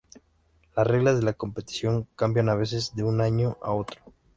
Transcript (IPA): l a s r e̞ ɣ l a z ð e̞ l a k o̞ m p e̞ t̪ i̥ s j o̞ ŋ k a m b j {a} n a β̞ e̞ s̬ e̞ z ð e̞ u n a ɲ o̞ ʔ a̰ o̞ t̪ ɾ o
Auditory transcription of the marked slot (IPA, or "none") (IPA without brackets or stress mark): a